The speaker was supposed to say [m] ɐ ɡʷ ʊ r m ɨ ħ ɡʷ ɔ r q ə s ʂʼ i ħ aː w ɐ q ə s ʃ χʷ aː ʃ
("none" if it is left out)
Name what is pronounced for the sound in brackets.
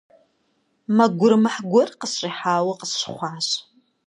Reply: m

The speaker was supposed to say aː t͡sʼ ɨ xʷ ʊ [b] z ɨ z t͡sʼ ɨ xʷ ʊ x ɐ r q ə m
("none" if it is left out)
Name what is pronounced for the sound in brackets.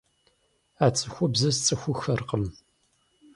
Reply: b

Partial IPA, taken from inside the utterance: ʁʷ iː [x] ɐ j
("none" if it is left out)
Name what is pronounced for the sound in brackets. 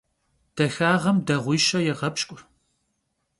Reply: ʃ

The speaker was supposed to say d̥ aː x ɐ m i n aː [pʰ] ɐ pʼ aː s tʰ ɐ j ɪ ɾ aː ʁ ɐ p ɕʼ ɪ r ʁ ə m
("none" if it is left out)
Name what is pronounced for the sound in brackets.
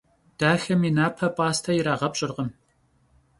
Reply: pʰ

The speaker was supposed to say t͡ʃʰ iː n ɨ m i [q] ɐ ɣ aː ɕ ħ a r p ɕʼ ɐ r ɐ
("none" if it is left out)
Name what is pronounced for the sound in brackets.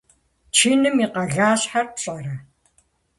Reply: q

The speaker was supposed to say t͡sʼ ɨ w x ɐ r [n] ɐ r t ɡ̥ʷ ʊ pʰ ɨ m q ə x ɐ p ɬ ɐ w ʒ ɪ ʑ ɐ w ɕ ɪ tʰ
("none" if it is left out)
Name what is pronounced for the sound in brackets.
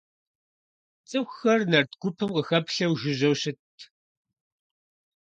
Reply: n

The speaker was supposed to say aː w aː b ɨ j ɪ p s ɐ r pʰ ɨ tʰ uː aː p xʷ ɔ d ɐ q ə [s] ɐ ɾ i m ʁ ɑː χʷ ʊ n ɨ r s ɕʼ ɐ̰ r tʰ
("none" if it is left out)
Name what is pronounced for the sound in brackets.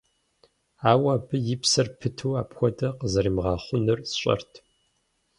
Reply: z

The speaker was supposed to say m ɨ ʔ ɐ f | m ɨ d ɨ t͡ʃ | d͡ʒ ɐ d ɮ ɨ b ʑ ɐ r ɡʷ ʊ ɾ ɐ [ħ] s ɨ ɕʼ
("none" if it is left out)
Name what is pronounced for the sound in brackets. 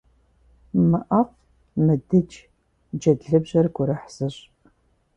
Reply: ħ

